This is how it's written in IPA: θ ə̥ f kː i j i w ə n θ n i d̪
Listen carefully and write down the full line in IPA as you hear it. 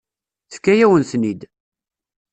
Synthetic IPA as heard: θ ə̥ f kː æ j æ w ə n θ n i d̪